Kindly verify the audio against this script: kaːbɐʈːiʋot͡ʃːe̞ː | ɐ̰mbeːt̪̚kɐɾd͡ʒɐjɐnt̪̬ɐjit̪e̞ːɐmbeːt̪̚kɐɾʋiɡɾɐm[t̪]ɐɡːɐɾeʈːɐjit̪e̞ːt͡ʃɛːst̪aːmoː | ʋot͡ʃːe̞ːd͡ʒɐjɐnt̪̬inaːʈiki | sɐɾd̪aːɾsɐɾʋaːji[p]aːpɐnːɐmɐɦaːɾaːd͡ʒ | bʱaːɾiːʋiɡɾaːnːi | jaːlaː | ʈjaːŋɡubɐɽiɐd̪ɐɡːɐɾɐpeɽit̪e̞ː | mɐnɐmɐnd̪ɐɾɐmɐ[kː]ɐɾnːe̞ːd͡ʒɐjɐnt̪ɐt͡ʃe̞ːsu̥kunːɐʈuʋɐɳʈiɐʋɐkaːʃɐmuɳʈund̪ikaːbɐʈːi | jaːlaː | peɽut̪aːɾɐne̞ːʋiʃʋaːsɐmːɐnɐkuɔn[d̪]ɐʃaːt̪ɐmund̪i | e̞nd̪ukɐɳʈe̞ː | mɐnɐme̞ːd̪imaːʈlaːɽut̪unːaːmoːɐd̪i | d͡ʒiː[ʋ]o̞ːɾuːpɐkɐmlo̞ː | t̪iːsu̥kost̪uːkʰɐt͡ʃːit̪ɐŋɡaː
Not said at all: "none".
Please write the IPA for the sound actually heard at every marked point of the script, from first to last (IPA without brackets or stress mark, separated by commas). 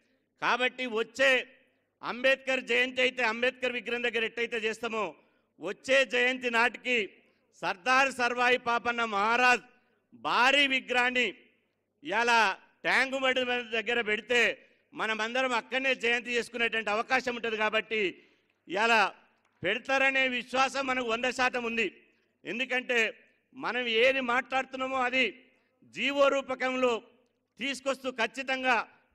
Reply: d̪, p, kː, d̪, ʋ